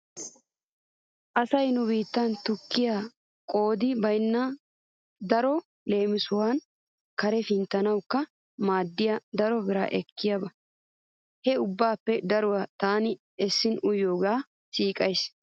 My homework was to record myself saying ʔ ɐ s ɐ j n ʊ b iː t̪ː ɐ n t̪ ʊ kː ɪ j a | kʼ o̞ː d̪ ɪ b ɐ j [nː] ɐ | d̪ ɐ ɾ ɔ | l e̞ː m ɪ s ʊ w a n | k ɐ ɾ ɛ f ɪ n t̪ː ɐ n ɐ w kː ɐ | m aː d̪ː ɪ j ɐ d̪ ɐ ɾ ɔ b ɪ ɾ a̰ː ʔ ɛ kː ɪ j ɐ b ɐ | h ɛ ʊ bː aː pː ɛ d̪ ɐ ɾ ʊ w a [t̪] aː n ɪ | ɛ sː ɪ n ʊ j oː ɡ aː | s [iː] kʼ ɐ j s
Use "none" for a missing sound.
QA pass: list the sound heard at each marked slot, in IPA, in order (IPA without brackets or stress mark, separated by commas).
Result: nː, t̪, iː